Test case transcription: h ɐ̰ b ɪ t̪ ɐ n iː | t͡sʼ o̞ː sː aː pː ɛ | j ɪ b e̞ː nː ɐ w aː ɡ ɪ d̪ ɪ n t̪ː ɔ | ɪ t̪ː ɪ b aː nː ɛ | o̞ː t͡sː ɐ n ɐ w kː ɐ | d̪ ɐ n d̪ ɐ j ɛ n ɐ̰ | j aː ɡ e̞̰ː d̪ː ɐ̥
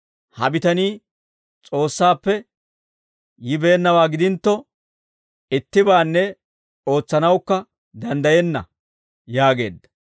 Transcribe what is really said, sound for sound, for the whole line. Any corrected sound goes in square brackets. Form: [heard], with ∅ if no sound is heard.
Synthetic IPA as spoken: h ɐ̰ b ɪ t̪ ɐ n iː | t͡sʼ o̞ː sː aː pː ɛ | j ɪ b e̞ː nː ɐ w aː ɡ ɪ d̪ ɪ n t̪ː ɔ | ɪ t̪ː ɪ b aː nː ɛ | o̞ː t͡sː ɐ n ɐ w kː ɐ | d̪ ɐ n d̪ ɐ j ɛ [nː] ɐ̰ | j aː ɡ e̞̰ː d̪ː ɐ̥